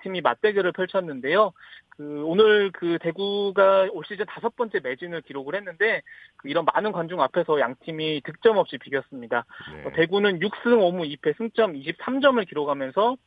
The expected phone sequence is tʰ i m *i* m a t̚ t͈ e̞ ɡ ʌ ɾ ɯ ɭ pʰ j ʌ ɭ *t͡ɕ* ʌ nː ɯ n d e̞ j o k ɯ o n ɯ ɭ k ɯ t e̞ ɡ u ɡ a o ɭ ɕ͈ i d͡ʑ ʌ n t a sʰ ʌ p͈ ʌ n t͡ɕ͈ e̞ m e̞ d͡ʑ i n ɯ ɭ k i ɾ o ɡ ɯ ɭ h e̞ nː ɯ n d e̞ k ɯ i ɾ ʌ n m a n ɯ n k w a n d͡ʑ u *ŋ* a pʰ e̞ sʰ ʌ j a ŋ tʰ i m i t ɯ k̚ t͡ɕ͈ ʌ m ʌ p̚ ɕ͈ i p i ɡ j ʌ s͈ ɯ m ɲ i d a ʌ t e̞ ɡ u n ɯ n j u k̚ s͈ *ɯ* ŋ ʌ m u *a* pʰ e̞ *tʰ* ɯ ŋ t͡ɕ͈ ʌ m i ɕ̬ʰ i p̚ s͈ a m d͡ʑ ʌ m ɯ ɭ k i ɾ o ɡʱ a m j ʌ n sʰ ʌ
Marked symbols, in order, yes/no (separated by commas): yes, no, yes, yes, no, no